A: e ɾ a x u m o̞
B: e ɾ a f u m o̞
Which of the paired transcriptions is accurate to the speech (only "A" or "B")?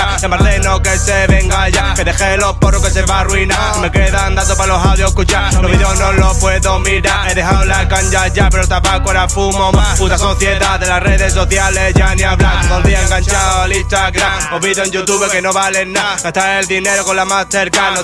B